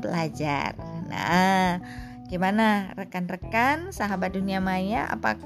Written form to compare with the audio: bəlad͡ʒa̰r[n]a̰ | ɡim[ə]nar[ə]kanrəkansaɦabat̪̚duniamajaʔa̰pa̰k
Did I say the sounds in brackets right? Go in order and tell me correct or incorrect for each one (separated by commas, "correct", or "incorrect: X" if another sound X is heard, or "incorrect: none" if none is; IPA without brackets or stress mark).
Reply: correct, incorrect: a, correct